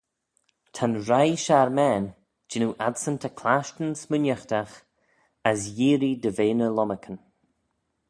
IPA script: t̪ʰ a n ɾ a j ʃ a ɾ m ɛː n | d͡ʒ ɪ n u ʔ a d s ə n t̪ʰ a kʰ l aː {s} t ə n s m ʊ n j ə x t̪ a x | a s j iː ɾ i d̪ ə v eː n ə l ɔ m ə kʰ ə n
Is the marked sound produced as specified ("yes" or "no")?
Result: no